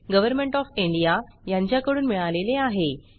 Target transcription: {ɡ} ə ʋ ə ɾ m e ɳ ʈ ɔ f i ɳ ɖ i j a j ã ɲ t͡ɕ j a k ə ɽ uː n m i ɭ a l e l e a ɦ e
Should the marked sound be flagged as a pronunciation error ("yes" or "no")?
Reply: no